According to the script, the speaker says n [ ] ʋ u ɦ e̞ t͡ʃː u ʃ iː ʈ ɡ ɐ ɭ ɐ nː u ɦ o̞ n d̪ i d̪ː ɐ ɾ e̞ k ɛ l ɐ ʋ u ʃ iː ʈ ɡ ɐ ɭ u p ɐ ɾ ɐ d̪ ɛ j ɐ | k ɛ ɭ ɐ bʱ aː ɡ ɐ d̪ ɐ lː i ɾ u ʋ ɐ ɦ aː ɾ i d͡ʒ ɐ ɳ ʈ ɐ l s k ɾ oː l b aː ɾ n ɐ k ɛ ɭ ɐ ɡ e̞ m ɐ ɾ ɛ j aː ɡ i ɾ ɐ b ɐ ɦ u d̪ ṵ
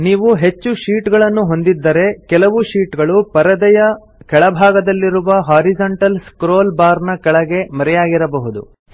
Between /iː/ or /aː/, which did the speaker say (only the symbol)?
iː